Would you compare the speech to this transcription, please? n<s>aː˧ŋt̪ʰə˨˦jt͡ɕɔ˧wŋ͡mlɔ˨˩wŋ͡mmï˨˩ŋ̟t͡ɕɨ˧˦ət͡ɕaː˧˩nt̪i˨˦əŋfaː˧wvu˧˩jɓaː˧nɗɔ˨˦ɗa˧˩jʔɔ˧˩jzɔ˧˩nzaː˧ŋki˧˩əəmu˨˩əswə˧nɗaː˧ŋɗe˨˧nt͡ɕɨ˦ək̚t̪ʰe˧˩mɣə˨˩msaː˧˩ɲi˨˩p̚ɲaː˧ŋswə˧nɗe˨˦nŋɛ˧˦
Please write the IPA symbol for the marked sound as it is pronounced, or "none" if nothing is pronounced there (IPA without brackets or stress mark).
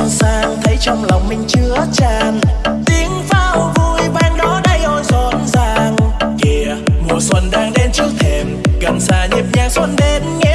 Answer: s